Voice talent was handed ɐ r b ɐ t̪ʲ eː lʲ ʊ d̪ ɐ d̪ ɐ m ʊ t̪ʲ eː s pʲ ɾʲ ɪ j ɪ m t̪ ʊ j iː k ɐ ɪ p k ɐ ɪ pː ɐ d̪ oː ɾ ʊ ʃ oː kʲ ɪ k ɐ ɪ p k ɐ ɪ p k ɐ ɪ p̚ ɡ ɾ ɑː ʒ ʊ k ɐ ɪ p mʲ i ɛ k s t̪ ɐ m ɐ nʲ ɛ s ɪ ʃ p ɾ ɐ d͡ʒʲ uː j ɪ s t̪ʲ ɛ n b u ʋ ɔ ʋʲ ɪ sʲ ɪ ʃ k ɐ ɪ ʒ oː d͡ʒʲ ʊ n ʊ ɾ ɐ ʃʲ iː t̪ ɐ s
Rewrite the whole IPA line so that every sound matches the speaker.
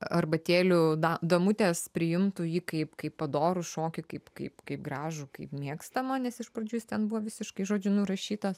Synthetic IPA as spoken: ɐ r b ɐ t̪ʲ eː lʲ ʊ d̪ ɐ d̪ ɐ m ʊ t̪ʲ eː s pʲ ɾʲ ɪ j ɪ m t̪ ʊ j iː k ɐ ɪ p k ɐ ɪ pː ɐ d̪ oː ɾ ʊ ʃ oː kʲ ɪ k ɐ ɪ p k ɐ ɪ p k ɐ ɪ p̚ ɡ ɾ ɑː ʒ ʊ k ɐ ɪ p mʲ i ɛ k s t̪ ɐ m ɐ nʲ ɛ s ɪ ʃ p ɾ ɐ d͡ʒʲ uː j ɪ s t̪ʲ ɛ n b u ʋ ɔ ʋʲ ɪ sʲ ɪ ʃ k ɐ ɪ ʒ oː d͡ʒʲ ʊ n ʊ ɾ ɐ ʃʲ iː t̪ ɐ s